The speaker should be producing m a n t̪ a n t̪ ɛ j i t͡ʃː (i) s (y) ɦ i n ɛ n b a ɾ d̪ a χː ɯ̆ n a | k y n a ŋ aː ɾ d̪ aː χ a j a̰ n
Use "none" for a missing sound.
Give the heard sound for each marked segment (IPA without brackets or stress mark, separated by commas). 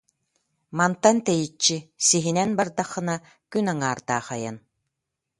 i, i